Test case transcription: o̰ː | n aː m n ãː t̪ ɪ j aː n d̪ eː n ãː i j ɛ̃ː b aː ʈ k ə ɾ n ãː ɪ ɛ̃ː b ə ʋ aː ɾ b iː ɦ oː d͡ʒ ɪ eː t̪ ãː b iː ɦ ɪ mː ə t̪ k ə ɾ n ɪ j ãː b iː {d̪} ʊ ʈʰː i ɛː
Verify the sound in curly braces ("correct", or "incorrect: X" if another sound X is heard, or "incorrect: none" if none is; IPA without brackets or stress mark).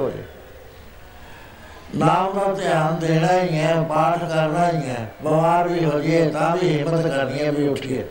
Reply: incorrect: none